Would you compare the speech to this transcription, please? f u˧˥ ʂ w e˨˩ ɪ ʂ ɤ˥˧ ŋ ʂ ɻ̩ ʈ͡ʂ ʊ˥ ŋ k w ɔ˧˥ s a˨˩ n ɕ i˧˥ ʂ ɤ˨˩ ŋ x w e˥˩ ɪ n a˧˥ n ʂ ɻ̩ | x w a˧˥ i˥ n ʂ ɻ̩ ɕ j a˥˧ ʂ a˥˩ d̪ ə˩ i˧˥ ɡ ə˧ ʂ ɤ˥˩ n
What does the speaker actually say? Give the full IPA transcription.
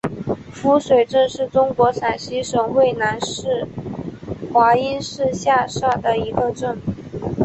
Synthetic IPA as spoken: f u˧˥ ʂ w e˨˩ ɪ ʈ͡ʂ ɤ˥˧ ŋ ʂ ɻ̩ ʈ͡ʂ ʊ˥ ŋ k w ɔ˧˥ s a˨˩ n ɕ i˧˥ ʂ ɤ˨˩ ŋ x w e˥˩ ɪ n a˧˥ n ʂ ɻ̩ | x w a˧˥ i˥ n ʂ ɻ̩ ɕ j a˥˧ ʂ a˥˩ d̪ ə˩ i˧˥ ɡ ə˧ ʈ͡ʂ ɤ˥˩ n